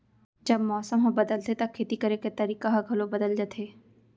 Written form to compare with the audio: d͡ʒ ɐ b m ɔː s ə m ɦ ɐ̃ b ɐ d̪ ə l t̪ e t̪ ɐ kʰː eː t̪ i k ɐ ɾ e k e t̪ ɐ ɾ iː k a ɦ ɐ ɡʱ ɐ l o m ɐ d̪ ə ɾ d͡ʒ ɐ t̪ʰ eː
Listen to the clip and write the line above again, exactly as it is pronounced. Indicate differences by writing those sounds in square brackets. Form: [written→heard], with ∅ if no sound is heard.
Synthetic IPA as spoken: d͡ʒ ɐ b m ɔː s ə m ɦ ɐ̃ b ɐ d̪ ə l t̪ e t̪ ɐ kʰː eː t̪ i k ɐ ɾ e k e t̪ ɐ ɾ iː k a ɦ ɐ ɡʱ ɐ l o [m→b] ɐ d̪ ə [ɾ→l] d͡ʒ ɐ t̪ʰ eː